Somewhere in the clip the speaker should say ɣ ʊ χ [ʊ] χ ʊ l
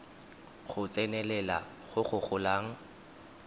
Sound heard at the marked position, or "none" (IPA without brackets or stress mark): ʊ